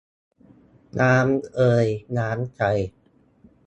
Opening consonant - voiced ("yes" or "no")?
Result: yes